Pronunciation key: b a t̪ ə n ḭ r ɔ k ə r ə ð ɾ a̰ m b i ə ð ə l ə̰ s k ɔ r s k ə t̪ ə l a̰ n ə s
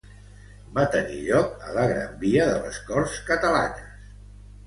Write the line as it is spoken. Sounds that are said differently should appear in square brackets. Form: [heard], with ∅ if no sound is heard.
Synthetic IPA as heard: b a t̪ ə n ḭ [ʎ] ɔ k ə [l] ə [ɣ] ɾ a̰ m b i ə ð ə l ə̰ s k ɔ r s k ə t̪ ə l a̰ n ə s